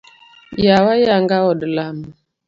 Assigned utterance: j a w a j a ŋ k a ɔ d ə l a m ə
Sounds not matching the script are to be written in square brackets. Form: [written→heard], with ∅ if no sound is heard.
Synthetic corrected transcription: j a w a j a ŋ [k→ɡ] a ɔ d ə l a m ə